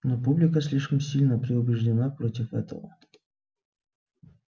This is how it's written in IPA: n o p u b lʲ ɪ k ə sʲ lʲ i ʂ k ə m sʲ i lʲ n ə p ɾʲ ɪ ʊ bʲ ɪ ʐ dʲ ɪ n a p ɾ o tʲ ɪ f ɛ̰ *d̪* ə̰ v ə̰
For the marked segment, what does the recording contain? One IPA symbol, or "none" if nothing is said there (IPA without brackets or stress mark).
t̪